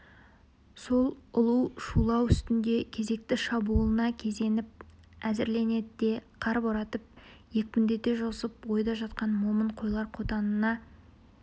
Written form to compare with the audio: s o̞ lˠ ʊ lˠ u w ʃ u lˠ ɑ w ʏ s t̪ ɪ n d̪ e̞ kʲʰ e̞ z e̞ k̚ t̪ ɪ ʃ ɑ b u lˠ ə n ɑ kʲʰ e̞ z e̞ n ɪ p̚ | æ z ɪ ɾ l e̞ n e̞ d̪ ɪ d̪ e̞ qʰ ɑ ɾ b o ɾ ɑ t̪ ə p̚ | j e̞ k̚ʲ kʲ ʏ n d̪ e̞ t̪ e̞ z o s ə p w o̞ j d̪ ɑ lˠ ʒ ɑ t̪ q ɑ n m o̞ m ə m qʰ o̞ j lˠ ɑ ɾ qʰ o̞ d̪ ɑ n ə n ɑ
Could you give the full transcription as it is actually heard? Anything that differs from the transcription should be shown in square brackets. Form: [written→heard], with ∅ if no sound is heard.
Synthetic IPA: s o̞ lˠ ʊ lˠ u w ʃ u lˠ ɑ w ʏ s t̪ ɪ n d̪ e̞ kʲʰ e̞ z e̞ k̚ t̪ ɪ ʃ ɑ b u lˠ ə n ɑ kʲʰ e̞ z e̞ n ɪ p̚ | æ z ɪ ɾ l e̞ n e̞ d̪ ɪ d̪ e̞ qʰ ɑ ɾ b o ɾ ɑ t̪ ə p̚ | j e̞ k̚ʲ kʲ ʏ n d̪ e̞ t̪ e̞ [z→ʒ] o s ə p w o̞ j d̪ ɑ [lˠ→∅] ʒ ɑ t̪ q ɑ n m o̞ m ə [m→ɴ] qʰ o̞ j lˠ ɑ ɾ qʰ o̞ [d̪→t̪] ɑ n ə n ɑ